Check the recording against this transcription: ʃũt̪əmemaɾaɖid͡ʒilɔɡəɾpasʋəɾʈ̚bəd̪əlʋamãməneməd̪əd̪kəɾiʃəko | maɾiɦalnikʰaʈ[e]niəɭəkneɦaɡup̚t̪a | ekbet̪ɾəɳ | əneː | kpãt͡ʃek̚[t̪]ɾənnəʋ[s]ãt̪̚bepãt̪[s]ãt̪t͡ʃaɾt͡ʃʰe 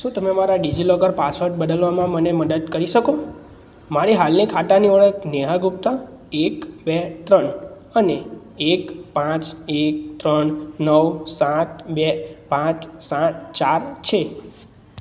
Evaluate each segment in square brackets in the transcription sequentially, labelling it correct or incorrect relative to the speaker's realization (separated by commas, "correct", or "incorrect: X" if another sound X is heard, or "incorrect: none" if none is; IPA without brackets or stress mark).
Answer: incorrect: a, correct, correct, correct